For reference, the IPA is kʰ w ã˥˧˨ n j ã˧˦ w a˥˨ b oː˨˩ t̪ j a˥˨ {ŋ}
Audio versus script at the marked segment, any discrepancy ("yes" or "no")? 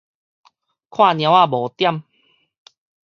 yes